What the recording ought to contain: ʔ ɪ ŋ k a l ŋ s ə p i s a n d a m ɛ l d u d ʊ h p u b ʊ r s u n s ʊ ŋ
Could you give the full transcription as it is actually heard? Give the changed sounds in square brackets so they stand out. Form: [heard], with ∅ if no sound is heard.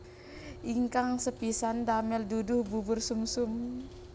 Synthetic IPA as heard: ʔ [i] ŋ k a [∅] ŋ s ə p i s a n d a m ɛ l d u d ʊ h [b] u b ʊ r s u [m] s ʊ [m]